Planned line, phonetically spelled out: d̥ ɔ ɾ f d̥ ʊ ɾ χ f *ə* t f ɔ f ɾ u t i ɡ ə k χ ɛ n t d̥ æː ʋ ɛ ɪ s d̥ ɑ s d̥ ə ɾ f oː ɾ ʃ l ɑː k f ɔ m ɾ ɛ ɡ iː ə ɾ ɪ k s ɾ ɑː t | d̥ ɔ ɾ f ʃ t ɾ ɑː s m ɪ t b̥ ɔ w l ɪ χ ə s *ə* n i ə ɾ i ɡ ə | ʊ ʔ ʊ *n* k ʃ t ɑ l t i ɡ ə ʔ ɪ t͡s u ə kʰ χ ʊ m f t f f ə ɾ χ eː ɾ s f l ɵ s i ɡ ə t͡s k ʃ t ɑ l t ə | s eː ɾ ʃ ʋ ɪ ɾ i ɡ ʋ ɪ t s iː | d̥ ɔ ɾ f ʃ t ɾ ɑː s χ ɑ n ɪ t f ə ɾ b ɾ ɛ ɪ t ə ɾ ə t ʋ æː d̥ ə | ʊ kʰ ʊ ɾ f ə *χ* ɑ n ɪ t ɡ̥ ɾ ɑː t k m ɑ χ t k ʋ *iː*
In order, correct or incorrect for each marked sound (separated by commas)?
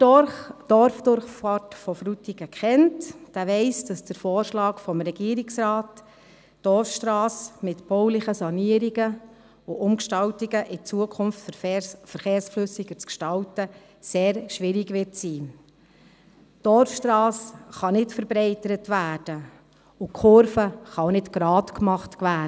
incorrect, incorrect, incorrect, correct, incorrect